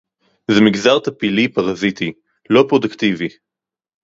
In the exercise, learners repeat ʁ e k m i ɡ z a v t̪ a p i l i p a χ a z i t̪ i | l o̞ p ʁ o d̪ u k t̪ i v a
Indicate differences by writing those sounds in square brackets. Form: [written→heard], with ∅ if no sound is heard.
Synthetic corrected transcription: [ʁ→z] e [k→∅] m i ɡ z a [v→ʁ] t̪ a p i l i p a [χ→ʁ] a z i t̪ i | l o̞ p ʁ o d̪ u k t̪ i v [a→i]